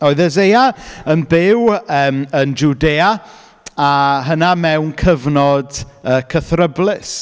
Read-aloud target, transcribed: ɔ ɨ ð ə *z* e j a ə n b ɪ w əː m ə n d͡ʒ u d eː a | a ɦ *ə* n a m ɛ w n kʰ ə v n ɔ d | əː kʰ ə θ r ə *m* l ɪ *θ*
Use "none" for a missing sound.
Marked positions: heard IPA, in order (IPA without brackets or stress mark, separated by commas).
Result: z, ə, b, s